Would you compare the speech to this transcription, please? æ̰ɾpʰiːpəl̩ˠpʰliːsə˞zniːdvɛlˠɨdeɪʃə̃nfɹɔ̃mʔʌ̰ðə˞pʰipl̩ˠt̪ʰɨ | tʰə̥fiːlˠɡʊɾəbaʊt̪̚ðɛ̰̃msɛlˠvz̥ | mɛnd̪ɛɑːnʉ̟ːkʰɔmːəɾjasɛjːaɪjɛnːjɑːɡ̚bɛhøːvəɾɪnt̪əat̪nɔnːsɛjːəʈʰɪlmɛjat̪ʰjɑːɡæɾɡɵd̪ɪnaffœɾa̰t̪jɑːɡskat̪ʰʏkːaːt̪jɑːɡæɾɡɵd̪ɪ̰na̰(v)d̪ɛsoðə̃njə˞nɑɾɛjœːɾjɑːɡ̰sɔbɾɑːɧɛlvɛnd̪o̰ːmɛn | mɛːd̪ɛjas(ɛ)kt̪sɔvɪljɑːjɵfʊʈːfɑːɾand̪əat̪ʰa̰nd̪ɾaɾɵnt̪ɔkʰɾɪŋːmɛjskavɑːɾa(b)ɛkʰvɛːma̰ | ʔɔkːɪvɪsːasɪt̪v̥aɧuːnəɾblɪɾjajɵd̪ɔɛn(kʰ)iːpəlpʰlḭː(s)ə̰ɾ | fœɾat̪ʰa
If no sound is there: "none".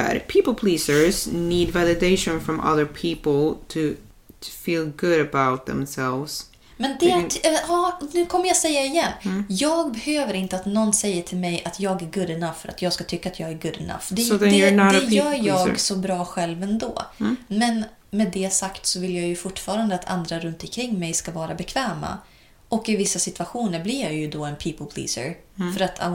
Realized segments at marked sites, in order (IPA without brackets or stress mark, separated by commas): f, a, b, pʰ, s